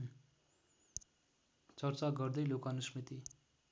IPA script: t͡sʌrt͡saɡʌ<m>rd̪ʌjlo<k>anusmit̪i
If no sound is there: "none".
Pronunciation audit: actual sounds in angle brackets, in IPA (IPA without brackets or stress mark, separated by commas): none, k